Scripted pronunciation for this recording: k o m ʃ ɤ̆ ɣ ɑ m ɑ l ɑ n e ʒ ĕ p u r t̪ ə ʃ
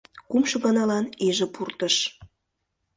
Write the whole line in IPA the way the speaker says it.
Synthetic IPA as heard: k u m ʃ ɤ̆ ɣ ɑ n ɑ l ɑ n e ʒ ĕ p u r t̪ ə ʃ